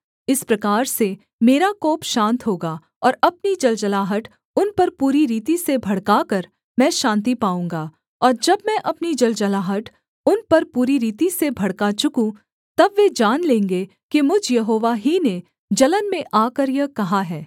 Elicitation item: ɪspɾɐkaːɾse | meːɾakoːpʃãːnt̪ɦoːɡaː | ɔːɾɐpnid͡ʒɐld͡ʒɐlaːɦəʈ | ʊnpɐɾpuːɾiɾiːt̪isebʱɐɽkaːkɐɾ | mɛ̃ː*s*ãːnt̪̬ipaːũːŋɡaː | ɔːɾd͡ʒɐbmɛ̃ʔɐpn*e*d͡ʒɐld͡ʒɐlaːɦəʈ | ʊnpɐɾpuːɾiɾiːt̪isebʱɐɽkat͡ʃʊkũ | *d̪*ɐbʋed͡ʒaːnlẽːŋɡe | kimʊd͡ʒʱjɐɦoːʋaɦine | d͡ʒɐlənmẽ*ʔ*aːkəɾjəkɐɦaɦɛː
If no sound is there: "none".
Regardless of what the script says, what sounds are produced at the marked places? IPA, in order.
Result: ʃ, i, t̪, ʔ

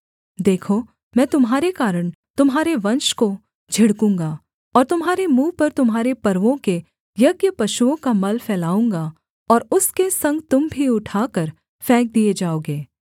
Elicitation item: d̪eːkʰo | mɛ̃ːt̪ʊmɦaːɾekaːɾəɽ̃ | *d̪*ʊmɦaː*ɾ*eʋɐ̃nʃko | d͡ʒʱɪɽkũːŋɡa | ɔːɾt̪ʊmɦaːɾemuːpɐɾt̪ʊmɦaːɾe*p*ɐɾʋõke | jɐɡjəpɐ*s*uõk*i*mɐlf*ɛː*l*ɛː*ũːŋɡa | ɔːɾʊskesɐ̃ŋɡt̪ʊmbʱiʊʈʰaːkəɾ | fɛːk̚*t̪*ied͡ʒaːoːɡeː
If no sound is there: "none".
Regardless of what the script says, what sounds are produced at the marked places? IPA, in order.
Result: t̪, ɾ, p, ʃ, a, ɛː, aː, d̪

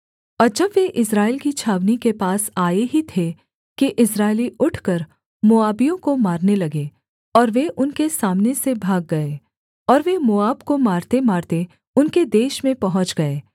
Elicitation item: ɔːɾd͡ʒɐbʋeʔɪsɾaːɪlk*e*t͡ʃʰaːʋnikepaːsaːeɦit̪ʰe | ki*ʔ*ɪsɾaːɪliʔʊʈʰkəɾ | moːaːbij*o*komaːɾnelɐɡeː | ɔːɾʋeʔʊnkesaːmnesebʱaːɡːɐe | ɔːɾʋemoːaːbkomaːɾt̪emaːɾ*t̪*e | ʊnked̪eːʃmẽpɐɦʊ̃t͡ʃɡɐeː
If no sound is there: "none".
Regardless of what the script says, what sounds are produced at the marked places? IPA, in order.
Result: i, ʔ, õ, t̪

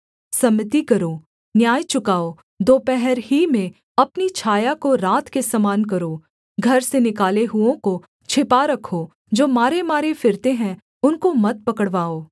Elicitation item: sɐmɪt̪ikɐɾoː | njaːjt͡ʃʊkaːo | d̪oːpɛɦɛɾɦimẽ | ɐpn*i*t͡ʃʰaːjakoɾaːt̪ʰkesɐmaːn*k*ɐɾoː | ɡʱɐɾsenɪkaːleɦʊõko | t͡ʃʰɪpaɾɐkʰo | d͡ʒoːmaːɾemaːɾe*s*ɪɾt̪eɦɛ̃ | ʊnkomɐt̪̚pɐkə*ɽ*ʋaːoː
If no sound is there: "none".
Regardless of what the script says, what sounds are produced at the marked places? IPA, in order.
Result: i, k, f, ɽ

